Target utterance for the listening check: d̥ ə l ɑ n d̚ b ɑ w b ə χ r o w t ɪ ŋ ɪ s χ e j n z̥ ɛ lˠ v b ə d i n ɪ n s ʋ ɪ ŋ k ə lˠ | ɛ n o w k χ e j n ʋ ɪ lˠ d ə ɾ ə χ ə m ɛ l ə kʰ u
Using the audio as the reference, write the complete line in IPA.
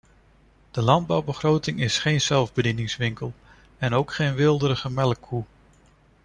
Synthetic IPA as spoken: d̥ ə l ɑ n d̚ b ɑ w b ə χ r o w t ɪ ŋ ɪ s χ e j n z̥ ɛ lˠ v b ə d i n ɪ ŋ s ʋ ɪ ŋ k ə lˠ | ɛ n o w k χ e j n ʋ ɪ lˠ d ə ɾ ə χ ə m ɛ l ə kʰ u